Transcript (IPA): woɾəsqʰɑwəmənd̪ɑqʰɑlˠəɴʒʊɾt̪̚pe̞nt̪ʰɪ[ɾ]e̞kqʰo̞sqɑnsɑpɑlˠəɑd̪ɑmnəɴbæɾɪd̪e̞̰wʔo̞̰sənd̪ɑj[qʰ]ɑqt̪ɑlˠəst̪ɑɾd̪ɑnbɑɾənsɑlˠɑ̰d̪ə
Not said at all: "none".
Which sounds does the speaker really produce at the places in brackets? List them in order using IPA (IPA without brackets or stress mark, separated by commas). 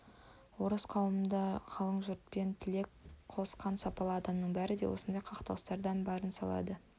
l, qʰ